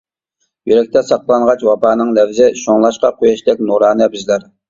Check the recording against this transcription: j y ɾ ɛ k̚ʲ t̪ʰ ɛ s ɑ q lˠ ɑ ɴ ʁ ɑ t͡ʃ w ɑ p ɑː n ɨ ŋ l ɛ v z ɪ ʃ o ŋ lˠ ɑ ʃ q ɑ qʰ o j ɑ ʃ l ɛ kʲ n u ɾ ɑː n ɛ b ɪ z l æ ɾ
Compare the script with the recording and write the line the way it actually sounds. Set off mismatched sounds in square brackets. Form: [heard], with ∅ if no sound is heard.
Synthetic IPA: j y ɾ ɛ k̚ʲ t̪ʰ ɛ s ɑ q lˠ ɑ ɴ ʁ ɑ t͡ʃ w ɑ p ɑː n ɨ ŋ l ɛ v z ɪ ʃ o ŋ lˠ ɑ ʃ q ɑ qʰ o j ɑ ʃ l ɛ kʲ n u ɾ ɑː n ɛ b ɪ z l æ ɾ